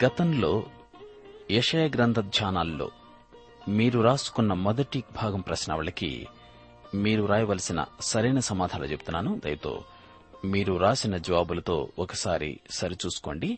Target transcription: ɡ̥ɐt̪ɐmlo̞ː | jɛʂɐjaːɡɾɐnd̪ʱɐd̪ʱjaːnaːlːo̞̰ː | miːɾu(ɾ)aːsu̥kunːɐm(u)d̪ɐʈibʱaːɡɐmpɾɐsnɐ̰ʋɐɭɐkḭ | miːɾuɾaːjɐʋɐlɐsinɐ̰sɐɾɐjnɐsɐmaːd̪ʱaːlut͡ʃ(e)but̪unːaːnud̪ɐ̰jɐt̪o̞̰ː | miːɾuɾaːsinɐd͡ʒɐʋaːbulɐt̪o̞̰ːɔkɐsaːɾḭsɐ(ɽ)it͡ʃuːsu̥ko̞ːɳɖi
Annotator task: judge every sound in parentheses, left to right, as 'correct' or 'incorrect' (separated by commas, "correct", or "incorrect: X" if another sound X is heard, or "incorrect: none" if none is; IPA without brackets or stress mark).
correct, incorrect: ɔ, correct, incorrect: ɾ